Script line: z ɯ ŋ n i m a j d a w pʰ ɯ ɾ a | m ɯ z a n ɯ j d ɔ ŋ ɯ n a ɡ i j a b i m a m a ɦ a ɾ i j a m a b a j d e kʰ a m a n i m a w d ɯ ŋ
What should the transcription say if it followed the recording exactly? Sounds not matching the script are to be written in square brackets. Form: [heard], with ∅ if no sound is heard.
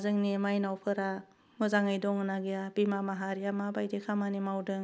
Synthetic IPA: z ɯ ŋ n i m a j [n] a w pʰ ɯ ɾ a | m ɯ z a [ŋ] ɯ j d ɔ ŋ ɯ n a ɡ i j a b i m a m a ɦ a ɾ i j a m a b a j d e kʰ a m a n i m a w d ɯ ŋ